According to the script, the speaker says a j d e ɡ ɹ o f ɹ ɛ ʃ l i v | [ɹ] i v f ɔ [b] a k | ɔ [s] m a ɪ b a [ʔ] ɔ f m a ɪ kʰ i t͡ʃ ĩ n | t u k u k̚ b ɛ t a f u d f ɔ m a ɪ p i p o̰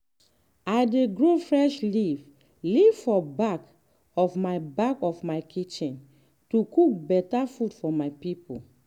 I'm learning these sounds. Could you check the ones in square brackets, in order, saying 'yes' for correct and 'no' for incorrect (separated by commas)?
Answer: no, yes, no, no